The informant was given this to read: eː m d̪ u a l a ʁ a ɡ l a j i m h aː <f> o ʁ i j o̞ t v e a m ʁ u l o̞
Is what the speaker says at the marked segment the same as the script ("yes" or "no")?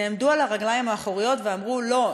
no